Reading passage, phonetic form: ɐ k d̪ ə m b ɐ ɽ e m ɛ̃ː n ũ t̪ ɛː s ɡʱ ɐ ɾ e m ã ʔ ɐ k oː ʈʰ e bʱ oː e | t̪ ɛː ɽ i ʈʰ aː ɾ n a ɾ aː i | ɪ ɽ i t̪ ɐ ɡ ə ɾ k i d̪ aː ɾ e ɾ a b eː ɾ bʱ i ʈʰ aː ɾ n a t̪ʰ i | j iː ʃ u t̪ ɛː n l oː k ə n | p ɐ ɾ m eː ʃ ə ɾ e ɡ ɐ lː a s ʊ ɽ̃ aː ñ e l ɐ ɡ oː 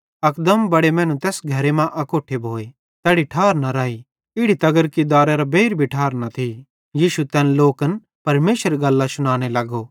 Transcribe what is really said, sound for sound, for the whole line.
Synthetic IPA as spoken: ɐ k d̪ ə m b ɐ ɽ e m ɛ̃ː n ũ t̪ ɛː s ɡʱ ɐ ɾ e m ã ʔ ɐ k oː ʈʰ e bʱ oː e | t̪ ɛː ɽ i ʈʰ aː ɾ n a ɾ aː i | ɪ ɽ i t̪ ɐ ɡ ə ɾ k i d̪ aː ɾ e ɾ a b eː ɾ bʱ i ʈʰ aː ɾ n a t̪ʰ i | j iː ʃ u t̪ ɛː n l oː k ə n | p ɐ ɾ m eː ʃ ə ɾ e ɡ ɐ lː a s ʊ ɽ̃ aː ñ e l ɐ ɡ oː